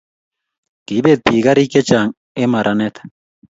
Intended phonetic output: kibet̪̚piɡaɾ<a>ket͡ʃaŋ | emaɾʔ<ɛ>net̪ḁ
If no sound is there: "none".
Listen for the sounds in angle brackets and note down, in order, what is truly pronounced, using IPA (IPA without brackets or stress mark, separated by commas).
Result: i, a